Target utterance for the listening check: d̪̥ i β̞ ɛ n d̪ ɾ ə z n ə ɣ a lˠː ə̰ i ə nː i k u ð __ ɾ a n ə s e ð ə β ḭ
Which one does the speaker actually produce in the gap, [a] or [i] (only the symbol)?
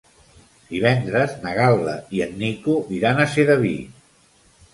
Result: i